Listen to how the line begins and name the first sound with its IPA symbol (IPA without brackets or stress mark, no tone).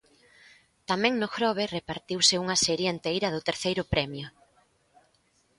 t̪